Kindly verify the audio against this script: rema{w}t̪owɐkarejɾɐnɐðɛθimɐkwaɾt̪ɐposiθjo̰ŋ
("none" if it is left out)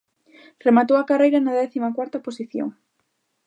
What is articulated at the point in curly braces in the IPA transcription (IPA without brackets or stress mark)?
none